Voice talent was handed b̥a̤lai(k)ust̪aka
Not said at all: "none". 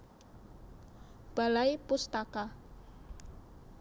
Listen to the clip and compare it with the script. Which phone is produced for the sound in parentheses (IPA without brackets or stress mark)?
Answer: p